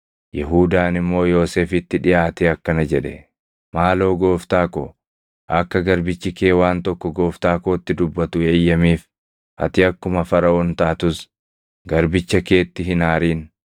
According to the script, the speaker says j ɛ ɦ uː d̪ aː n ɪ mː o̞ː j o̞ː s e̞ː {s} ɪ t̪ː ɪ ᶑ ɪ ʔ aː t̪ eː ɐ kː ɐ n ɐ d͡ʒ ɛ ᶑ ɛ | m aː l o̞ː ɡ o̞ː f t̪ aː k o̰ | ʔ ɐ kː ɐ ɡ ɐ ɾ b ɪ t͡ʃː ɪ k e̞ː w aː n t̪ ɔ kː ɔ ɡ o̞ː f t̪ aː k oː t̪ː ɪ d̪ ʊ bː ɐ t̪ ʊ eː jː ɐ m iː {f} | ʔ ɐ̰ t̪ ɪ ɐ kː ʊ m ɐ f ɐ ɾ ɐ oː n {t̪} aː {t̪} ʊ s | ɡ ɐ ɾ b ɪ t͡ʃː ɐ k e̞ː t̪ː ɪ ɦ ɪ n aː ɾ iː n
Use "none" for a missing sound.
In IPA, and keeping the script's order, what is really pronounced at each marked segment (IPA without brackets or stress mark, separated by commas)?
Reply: f, f, t̪, t̪